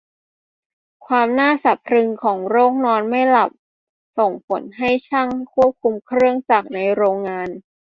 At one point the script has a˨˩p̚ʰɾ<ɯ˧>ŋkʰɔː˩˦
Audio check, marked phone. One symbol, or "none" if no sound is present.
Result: ɯ˧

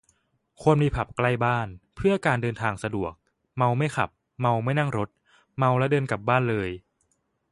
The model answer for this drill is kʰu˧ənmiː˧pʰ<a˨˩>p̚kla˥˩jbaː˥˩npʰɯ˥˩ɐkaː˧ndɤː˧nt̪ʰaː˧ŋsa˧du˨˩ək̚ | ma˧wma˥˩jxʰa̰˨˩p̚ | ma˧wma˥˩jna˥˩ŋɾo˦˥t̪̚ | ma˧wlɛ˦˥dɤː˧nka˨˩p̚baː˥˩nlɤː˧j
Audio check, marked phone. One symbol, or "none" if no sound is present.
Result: a˨˩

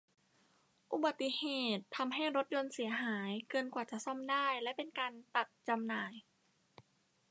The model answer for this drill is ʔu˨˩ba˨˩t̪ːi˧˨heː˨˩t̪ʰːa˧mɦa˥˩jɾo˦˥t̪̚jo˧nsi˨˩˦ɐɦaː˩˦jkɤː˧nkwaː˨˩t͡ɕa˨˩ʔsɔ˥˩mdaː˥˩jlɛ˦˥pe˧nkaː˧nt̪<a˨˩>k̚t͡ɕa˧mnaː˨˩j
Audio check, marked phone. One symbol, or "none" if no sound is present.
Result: a˨˩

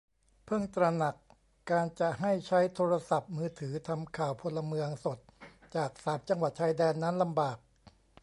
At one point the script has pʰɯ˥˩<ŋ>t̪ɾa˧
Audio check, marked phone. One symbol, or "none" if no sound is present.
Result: ŋ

